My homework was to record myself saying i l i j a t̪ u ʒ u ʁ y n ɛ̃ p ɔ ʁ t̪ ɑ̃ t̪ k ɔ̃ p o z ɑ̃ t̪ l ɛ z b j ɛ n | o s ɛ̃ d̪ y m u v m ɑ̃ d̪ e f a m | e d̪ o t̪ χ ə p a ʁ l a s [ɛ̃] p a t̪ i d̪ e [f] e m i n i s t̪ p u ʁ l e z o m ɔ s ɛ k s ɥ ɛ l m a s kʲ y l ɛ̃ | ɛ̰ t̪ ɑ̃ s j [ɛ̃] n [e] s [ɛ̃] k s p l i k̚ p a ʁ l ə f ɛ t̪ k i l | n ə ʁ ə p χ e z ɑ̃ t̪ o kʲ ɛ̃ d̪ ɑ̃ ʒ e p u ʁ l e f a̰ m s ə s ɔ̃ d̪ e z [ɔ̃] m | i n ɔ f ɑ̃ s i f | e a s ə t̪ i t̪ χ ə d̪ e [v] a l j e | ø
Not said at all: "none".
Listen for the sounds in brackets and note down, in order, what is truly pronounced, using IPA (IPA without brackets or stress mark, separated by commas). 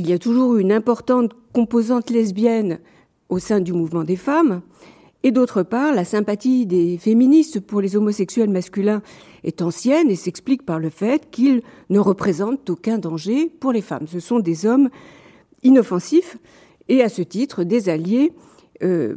ɛ̃, f, ɛ, e, ɛ, ɔ, z